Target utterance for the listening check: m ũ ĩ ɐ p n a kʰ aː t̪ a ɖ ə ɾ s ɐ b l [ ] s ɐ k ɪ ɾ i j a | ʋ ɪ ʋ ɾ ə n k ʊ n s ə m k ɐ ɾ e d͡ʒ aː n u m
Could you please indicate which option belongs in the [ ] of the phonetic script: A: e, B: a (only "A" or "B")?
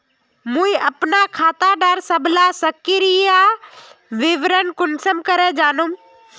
B